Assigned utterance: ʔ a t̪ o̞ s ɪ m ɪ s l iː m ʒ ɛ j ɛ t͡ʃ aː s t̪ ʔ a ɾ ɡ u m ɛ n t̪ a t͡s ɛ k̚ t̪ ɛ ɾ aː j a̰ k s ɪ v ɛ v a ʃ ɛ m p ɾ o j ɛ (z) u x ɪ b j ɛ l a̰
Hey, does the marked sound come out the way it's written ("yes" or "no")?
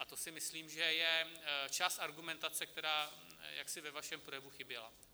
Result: no